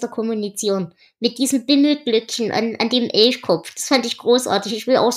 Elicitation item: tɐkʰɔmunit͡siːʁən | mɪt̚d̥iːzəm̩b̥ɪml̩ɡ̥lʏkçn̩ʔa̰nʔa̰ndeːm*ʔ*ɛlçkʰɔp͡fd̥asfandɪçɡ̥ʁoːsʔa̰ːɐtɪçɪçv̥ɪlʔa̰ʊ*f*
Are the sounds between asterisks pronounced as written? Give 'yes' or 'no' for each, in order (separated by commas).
yes, no